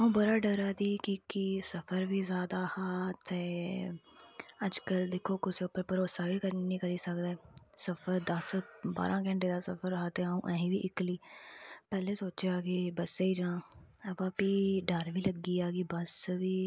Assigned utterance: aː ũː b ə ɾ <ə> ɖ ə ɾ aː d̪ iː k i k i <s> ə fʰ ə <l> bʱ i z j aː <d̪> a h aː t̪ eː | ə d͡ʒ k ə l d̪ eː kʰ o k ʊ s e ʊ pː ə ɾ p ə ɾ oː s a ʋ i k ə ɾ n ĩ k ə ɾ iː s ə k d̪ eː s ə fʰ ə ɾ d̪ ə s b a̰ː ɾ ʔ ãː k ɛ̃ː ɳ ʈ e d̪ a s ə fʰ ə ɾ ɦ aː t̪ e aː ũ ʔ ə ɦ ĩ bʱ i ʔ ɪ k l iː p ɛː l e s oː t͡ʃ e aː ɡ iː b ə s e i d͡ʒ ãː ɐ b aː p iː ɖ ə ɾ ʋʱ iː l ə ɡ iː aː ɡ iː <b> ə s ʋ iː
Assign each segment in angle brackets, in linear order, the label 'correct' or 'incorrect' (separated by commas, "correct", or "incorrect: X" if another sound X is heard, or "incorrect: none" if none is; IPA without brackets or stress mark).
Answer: incorrect: a, correct, incorrect: ɾ, correct, correct